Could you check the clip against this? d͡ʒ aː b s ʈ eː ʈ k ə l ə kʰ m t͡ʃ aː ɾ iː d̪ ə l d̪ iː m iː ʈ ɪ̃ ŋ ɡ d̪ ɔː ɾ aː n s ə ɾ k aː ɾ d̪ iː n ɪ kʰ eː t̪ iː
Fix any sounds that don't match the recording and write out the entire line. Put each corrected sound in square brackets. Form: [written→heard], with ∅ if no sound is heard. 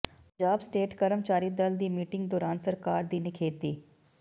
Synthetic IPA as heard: d͡ʒ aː b s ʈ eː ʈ k ə [l→ɾ] ə [kʰ→∅] m t͡ʃ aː ɾ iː d̪ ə l d̪ iː m iː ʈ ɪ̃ ŋ ɡ d̪ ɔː ɾ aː n s ə ɾ k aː ɾ d̪ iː n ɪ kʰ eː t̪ iː